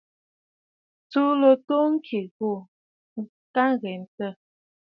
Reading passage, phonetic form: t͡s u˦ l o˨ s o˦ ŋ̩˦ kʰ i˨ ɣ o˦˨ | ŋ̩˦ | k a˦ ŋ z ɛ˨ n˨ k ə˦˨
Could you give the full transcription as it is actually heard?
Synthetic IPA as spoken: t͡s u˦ l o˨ t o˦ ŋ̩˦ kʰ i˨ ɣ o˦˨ | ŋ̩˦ | k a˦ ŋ ɣ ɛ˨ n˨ t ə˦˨